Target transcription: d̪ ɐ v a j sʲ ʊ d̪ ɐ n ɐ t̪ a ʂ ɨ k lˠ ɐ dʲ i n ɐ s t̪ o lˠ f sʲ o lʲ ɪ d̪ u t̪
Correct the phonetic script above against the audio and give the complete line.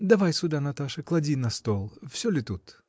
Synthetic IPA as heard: d̪ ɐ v a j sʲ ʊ d̪ a n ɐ t̪ a ʂ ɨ k lˠ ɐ dʲ i n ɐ s t̪ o lˠ f sʲ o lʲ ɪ t̪ u t̪